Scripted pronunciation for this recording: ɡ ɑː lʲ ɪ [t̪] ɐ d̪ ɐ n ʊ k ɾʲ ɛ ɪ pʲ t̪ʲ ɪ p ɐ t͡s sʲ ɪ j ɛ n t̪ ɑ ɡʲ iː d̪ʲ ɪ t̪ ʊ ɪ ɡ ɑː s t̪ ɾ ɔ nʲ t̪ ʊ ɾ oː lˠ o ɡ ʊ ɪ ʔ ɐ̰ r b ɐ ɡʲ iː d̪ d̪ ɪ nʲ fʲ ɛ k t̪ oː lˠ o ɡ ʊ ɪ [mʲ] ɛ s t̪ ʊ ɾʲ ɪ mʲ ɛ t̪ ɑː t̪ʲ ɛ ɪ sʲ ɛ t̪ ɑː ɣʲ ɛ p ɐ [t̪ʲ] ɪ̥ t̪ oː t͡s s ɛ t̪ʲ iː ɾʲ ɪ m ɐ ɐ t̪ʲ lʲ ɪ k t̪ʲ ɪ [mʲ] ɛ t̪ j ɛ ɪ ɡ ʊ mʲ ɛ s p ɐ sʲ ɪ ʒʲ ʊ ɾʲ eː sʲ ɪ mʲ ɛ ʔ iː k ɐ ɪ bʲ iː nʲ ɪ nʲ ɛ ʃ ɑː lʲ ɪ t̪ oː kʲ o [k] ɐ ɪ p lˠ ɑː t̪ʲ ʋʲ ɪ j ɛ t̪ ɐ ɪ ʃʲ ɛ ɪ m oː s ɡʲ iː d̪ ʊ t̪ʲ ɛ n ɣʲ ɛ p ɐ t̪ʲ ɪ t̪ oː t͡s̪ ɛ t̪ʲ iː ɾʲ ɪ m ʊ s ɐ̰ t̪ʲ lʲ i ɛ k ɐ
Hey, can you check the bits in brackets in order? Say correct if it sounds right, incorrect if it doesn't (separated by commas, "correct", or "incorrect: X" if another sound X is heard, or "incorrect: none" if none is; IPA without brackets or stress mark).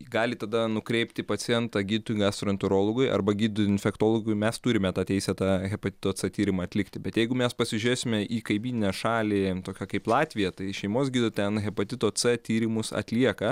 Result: correct, correct, correct, incorrect: bʲ, correct